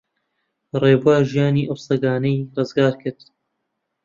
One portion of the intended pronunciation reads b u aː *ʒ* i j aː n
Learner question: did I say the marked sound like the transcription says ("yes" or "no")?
yes